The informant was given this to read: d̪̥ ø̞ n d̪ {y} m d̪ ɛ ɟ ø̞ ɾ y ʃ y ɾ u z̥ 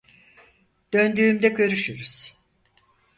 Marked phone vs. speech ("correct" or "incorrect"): incorrect